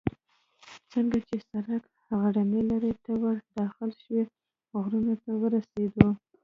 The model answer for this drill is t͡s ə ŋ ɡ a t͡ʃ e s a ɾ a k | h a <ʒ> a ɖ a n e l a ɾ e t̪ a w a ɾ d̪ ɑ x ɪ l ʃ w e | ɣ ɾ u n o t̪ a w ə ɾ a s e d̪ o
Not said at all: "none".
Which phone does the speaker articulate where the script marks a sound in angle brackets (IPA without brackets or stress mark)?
ɣ